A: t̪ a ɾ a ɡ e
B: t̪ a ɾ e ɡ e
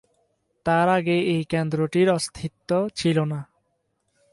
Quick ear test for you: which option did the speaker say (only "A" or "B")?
A